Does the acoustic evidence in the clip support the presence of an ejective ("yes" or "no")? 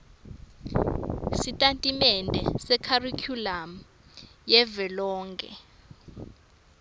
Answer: yes